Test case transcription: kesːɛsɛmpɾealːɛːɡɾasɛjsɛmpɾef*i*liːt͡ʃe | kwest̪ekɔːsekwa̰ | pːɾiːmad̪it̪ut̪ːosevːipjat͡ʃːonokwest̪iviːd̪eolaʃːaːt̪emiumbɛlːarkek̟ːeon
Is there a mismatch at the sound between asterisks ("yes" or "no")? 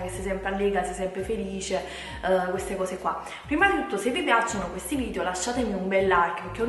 yes